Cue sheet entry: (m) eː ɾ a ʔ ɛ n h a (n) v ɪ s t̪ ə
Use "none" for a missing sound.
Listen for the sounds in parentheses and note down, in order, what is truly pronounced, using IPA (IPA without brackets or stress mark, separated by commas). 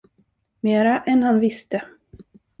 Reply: m, n